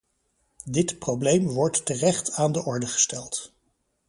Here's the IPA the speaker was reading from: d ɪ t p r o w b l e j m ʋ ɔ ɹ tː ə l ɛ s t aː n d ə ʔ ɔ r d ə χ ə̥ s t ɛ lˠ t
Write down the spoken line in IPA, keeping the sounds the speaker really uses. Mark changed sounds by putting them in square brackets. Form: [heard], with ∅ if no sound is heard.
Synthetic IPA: d ɪ t p r o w b l e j m ʋ ɔ ɹ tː ə [r] ɛ [χ] t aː n d ə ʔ ɔ [ɹ] d ə χ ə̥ s t ɛ lˠ t